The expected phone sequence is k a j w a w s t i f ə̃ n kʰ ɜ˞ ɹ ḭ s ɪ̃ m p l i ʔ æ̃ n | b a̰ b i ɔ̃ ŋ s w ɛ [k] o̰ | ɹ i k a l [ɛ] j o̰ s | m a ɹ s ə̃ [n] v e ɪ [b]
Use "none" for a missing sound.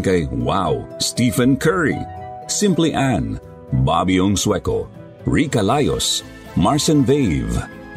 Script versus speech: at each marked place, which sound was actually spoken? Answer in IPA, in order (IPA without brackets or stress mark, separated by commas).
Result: k, a, n, v